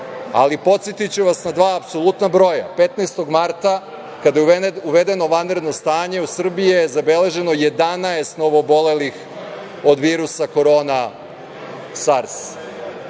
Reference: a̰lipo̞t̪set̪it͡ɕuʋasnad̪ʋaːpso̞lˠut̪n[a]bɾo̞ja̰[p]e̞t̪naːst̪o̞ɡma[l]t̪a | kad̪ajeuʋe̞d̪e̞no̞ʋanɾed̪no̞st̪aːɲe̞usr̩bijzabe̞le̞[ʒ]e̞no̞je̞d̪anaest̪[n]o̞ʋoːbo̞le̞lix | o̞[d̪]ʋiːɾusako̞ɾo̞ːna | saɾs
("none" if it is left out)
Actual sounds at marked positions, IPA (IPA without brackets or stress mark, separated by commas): a, p, ɾ, ʒ, n, d̪